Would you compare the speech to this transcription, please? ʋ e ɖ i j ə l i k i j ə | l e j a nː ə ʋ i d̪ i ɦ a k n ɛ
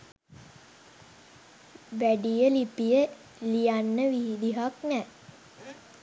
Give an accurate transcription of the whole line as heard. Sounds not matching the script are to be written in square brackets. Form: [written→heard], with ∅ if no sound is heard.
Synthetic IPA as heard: ʋ [e→æ] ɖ i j ə l i [k→p] i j ə | l [e→i] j a nː ə ʋ i d̪ i ɦ a k n ɛ